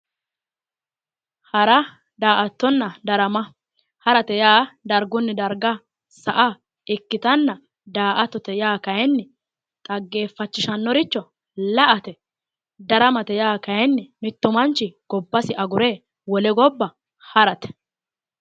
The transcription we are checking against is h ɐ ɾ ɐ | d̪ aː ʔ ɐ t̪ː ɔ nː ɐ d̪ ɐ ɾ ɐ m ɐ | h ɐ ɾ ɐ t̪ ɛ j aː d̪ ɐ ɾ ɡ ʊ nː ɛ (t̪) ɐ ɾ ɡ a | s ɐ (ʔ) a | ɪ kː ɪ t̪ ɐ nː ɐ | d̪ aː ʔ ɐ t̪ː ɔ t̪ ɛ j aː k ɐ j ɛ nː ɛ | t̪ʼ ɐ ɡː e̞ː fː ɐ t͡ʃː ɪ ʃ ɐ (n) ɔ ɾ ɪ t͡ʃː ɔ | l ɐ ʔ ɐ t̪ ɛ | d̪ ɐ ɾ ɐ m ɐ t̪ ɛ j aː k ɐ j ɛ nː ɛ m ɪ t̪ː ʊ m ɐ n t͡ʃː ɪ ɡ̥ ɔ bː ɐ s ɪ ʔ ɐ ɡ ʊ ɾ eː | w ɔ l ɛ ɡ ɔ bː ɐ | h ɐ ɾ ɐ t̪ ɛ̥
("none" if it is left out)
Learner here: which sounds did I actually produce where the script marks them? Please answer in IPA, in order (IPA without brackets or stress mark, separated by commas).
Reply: d̪, ʔ, nː